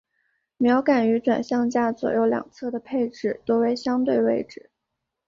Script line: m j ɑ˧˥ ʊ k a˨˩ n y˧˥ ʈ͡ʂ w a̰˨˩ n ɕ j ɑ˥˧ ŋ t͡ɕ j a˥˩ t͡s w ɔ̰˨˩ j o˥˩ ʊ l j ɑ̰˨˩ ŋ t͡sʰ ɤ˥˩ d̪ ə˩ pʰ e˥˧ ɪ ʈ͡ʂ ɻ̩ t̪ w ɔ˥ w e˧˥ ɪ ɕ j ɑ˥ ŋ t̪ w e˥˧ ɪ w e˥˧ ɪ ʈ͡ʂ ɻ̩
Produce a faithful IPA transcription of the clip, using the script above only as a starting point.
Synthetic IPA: m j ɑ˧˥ ʊ k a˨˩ n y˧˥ ʈ͡ʂ w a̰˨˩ n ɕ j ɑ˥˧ ŋ t͡ɕ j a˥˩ t͡s w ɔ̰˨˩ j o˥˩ ʊ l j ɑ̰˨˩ ŋ t͡sʰ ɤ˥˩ d̪ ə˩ pʰ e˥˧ ɪ ʈ͡ʂ ɻ̩ t̪ w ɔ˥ w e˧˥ ɪ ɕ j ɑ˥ ŋ t̪ w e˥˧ ɪ w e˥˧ ɪ ʈ͡ʂ ɻ̩